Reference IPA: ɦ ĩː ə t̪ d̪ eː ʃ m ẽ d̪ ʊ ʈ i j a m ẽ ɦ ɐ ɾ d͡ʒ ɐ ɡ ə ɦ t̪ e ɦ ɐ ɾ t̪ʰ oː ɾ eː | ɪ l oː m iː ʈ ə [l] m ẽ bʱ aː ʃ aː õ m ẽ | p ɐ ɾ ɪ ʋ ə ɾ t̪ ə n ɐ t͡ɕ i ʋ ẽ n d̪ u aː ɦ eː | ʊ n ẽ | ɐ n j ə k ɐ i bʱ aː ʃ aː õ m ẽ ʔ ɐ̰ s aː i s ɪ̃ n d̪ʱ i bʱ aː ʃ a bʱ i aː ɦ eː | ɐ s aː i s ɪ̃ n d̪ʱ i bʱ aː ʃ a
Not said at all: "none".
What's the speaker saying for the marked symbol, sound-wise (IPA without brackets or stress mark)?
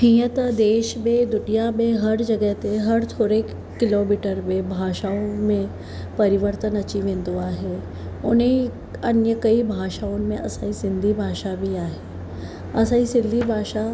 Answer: ɾ